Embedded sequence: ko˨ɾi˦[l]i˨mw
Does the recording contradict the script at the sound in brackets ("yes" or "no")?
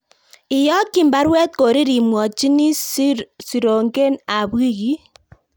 yes